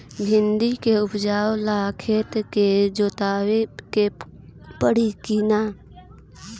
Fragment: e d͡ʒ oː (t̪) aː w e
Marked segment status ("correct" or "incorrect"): correct